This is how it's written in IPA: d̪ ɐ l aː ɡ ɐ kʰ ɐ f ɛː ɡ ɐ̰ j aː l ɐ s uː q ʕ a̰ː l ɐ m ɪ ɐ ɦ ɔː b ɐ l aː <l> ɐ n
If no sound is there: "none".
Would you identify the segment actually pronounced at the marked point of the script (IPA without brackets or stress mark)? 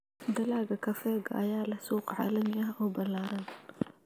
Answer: ɾ